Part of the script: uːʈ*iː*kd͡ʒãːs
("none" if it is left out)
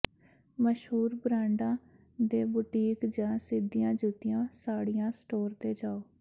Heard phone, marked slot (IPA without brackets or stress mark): iː